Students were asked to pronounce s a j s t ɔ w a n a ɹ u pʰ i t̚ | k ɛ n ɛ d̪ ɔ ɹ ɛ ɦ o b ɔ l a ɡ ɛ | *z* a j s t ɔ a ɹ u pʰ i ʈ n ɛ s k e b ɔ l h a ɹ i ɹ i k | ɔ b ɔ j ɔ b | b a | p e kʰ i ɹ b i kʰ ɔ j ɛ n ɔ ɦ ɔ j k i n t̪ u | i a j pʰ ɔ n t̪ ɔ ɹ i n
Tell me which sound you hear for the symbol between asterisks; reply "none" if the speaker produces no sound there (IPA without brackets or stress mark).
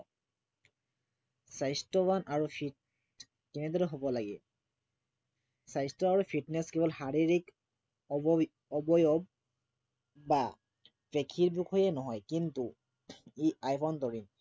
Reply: s